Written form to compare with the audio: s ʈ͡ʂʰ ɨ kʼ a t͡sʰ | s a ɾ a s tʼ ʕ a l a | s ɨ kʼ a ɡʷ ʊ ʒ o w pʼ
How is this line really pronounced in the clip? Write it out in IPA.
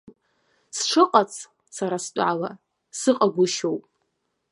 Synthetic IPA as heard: s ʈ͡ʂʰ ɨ qʼ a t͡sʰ | s a ɾ a s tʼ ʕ a l a | s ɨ qʼ a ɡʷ ʊ ʃ o w pʼ